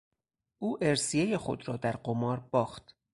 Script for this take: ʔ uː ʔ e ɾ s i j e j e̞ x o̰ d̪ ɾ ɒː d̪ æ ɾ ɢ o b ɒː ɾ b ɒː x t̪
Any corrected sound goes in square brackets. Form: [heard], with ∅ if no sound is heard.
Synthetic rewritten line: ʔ uː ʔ e ɾ s i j e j e̞ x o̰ d̪ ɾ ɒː d̪ æ ɾ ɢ o [m] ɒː ɾ b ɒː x t̪